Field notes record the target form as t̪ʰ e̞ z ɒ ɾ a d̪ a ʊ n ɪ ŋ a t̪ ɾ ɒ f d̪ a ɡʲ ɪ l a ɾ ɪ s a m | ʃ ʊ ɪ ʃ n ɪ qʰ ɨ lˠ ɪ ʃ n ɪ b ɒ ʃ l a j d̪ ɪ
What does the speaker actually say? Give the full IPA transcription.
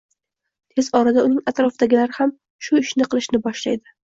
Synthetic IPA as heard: t̪ʰ e̞ z ɒ ɾ a d̪ a ʊ n ɪ ŋ a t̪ ɾ ɒ f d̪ a ɡʲ ɪ l a ɾ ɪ h a m | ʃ ʊ ɪ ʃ n ɪ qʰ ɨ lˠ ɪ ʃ n ɪ b ɒ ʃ l a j d̪ ɪ

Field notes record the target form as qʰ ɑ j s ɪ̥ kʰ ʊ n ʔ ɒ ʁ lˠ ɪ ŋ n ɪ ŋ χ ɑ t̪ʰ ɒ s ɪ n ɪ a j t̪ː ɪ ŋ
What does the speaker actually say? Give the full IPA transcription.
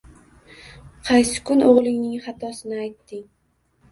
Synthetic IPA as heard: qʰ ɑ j s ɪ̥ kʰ ʊ n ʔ o ʁ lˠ ɪ ŋ n ɪ ŋ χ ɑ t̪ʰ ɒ s ɪ n ɪ a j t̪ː ɪ ŋ

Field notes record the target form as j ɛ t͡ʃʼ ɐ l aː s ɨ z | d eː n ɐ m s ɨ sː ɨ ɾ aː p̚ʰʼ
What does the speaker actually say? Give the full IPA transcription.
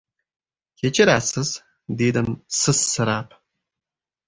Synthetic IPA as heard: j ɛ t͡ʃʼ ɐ ɾ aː s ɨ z | d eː d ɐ m s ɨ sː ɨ ɾ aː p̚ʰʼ

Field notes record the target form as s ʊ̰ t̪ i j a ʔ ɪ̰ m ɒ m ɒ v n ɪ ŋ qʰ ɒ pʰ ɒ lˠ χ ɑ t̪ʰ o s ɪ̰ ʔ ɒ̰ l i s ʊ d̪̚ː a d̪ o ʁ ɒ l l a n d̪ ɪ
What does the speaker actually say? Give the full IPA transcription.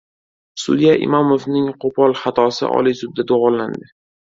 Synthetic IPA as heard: s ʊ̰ d̪ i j a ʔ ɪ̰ m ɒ m o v n ɪ ŋ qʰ o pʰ ɒ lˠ χ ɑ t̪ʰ ɒ s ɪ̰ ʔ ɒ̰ l i s ʊ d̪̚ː a d̪ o ʁ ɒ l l a n d̪ ɪ

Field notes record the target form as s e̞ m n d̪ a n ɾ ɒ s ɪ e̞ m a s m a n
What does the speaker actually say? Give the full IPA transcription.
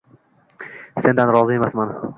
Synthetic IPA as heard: s e̞ n d̪ a n ɾ ɒ z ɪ e̞ m a s m a n

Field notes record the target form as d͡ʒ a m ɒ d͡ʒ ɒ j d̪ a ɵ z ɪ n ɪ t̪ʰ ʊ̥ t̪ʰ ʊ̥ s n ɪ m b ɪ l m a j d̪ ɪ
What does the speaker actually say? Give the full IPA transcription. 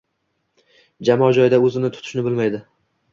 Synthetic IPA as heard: d͡ʒ a m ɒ d͡ʒ ɒ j d̪ a ɵ z ɪ n ɪ t̪ʰ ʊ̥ t̪ʰ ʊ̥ ʃ n ɪ b ɪ l m a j d̪ ɪ

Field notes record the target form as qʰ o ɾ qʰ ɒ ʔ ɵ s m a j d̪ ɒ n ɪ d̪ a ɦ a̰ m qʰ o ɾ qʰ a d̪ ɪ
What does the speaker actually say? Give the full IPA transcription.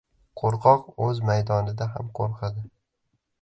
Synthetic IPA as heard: qʰ o ɾ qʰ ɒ q ɵ z m a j d̪ ɒ n ɪ d̪ a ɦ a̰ m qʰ o ɾ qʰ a d̪ ɪ

